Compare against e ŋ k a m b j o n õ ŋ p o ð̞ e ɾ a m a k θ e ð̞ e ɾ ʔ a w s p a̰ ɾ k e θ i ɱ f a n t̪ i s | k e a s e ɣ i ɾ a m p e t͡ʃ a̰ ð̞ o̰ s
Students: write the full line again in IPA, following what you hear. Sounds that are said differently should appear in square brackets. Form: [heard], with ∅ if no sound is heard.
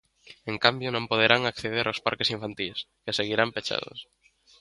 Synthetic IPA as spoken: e ŋ k a m b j o n õ [m] p o ð̞ e ɾ a [ŋ] a k θ e ð̞ e ɾ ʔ a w s p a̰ ɾ k e [s] i ɱ f a n t̪ i s | k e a s e ɣ i ɾ a m p e t͡ʃ a̰ ð̞ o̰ s

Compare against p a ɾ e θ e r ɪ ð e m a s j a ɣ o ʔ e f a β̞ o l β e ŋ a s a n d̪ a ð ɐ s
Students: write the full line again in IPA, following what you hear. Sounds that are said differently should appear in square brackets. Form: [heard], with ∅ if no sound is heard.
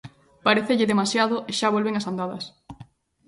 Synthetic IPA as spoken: p a ɾ e θ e [ʎ] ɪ ð e m a s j a [ð] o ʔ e [ʃ] a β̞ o l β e ŋ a s a n d̪ a ð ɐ s

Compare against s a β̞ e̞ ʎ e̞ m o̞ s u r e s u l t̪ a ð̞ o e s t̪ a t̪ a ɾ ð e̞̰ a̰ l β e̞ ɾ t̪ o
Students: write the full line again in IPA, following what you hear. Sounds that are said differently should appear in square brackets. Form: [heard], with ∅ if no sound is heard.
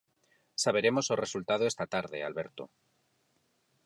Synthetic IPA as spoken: s a β̞ e̞ [ɾ] e̞ m o̞ s [o] r e s u l t̪ a ð̞ o e s t̪ a t̪ a ɾ ð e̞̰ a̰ l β e̞ ɾ t̪ o

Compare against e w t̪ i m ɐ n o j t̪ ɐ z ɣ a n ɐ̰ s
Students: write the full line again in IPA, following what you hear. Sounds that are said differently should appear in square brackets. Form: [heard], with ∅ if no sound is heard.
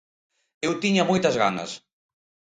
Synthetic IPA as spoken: e w t̪ i [ɲ] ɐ [m] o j t̪ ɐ z ɣ a n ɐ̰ s

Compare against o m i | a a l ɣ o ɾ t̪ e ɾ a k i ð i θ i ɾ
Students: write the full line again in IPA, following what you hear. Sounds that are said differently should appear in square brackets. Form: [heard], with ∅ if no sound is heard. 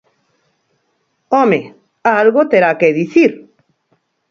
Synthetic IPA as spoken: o m [e] | a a l ɣ o [∅] t̪ e ɾ a k [e] ð i θ i ɾ

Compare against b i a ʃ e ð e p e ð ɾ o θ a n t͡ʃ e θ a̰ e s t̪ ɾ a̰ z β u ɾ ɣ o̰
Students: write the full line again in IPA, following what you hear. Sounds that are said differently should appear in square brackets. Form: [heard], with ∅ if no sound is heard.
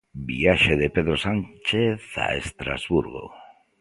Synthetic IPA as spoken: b i a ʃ e ð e p e ð ɾ o [s] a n t͡ʃ e θ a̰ e s t̪ ɾ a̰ z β u ɾ ɣ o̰

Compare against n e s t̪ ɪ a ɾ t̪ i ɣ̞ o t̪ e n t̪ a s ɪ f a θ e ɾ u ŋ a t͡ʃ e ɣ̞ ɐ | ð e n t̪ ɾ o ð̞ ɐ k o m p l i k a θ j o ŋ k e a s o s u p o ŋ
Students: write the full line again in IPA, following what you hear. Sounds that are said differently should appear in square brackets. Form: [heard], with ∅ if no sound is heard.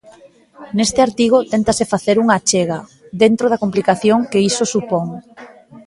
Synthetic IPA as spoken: n e s t̪ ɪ a ɾ t̪ i ɣ̞ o t̪ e n t̪ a s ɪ f a θ e ɾ u ŋ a t͡ʃ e ɣ̞ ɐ | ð e n t̪ ɾ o ð̞ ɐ k o m p l i k a θ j o ŋ k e [i] s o s u p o ŋ

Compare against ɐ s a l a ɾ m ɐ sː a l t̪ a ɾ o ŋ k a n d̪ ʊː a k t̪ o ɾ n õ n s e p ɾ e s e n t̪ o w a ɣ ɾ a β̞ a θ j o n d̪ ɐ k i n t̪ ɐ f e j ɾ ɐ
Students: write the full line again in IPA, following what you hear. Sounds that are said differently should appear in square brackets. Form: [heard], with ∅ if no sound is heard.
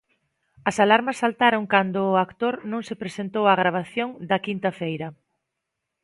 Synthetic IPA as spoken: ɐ s a l a ɾ m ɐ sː a l t̪ a ɾ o ŋ k a n d̪ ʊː a k t̪ o ɾ n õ [ŋ] s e p ɾ e s e n t̪ o w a ɣ ɾ a β̞ a θ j o [ŋ] d̪ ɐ k i n t̪ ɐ f e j ɾ ɐ

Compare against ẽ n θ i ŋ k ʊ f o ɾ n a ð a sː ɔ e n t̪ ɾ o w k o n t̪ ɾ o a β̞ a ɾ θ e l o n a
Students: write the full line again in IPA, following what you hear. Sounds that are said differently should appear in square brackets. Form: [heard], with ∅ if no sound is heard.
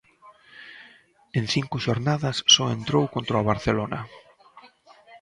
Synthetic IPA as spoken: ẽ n θ i ŋ k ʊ [ʃ] o ɾ n a ð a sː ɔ e n t̪ ɾ o w k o n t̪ ɾ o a β̞ a ɾ θ e l o n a

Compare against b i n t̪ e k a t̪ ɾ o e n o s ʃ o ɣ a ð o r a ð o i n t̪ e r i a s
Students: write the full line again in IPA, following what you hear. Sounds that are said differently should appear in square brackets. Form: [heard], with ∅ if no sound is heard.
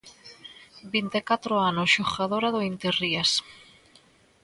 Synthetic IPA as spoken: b i n t̪ e k a t̪ ɾ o [a] n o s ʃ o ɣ a ð o [ɾ] a ð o i n t̪ e r i a s

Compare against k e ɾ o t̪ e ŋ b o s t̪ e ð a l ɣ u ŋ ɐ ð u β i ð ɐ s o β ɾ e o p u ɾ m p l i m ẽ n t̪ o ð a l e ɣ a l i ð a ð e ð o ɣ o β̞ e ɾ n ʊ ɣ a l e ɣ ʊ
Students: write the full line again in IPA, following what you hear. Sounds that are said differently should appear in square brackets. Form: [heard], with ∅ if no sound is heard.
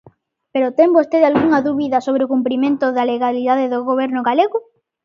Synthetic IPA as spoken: [p] e ɾ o t̪ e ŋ b o s t̪ e ð a l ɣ u ŋ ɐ ð u β i ð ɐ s o β ɾ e o [k] u [∅] m p [ɾ] i m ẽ n t̪ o ð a l e ɣ a l i ð a ð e ð o ɣ o β̞ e ɾ n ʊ ɣ a l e ɣ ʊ

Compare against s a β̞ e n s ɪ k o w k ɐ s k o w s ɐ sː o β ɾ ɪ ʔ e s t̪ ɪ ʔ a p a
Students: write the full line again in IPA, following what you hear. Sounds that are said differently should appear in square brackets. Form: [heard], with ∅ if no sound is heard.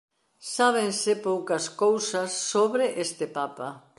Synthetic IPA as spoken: s a β̞ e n s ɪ [p] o w k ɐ s k o w s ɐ sː o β ɾ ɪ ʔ e s t̪ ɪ [p] a p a

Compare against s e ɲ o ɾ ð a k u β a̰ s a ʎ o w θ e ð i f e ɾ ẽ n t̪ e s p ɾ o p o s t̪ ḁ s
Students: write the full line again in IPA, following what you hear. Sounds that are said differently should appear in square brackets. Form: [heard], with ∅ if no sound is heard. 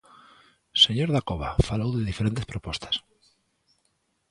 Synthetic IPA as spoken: s e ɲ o ɾ ð a k [o] β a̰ [f] a [l] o w [ð] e ð i f e ɾ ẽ n t̪ e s p ɾ o p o s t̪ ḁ s

